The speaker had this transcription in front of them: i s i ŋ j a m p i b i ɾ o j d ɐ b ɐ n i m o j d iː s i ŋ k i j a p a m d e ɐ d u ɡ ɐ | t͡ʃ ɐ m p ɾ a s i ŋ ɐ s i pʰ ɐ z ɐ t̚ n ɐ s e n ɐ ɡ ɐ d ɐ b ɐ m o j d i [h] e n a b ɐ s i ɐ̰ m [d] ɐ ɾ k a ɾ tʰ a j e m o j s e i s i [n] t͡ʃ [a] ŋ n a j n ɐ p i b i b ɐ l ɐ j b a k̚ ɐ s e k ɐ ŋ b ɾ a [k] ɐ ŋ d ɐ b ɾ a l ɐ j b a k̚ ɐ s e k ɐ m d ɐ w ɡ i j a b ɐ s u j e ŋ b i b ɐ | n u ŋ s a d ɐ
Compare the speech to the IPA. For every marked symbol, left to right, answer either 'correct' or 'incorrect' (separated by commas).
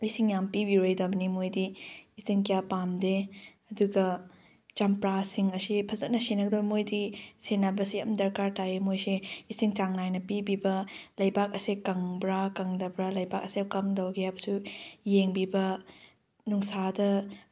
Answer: incorrect, correct, incorrect, correct, correct